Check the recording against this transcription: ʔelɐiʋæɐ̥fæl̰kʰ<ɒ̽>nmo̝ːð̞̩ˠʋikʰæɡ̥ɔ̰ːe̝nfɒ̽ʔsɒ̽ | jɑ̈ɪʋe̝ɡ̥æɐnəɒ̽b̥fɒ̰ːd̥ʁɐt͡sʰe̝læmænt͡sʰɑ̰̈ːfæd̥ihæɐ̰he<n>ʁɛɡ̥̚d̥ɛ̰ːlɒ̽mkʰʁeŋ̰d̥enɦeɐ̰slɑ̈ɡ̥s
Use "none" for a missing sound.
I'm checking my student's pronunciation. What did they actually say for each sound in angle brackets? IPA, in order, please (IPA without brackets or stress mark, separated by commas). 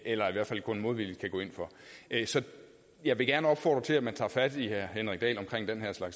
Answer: ɔ̽, n